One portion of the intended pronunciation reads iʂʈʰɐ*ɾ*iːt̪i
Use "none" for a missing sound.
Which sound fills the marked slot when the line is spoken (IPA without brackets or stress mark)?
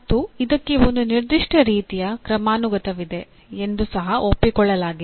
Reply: ɾ